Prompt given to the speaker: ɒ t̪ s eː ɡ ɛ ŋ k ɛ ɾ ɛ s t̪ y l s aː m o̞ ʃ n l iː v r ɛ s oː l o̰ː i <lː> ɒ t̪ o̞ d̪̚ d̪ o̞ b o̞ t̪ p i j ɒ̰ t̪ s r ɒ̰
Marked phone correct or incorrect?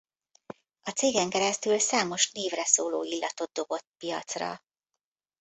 correct